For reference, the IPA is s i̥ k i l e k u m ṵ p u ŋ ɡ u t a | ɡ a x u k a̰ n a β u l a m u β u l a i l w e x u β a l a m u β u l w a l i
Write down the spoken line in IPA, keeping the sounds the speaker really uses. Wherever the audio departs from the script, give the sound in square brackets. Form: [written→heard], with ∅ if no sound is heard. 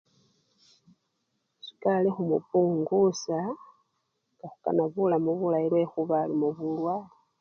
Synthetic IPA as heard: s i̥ k [i→a] l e [k→x] u m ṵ p u ŋ ɡ u [t→s] a | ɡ a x u k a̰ n a β u l a m u β u l a i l w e x u β a l [a→i] m u β u l w a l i